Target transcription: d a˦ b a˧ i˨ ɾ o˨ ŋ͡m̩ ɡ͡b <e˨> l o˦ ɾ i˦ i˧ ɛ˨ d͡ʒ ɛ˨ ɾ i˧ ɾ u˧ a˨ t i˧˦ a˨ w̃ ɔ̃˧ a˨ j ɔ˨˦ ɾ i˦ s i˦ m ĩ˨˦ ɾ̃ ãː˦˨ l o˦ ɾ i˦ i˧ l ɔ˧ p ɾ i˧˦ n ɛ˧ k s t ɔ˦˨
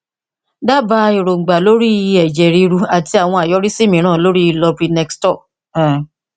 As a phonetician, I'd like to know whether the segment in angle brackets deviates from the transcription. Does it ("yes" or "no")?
yes